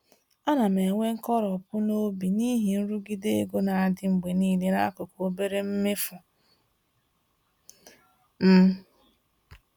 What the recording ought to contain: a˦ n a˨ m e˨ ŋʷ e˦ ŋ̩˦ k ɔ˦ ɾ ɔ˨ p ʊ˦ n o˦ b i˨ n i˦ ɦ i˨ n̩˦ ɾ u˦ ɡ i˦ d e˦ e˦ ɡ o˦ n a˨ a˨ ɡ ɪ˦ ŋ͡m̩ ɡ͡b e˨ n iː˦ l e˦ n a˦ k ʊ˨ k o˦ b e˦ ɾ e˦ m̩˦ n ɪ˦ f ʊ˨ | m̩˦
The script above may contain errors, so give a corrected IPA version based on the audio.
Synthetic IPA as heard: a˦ n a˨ m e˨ ŋʷ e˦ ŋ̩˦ k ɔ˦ ɾ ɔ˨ p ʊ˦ n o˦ b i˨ n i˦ ɦ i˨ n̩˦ ɾ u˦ ɡ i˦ d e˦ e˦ ɡ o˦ n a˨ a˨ d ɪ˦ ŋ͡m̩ ɡ͡b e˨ n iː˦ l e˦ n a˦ k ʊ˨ k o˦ b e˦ ɾ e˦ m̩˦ m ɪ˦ f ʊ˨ | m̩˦